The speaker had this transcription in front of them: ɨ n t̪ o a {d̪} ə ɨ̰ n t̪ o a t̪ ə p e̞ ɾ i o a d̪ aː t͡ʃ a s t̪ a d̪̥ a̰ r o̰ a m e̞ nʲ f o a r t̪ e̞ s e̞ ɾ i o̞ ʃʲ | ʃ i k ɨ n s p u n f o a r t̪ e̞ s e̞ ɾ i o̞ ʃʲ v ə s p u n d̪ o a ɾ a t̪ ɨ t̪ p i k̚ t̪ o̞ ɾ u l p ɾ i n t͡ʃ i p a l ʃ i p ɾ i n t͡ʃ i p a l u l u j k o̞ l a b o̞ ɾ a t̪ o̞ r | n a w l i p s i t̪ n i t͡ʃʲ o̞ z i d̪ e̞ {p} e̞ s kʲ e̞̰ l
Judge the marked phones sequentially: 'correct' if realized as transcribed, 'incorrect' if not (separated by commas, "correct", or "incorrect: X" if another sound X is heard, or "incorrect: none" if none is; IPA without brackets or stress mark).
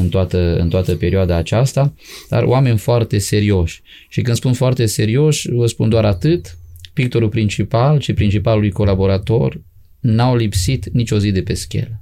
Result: incorrect: t̪, correct